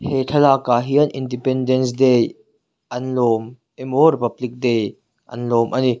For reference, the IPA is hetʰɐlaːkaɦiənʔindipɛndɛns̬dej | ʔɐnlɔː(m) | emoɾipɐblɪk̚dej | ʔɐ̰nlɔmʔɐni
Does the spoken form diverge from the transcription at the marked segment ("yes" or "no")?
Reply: no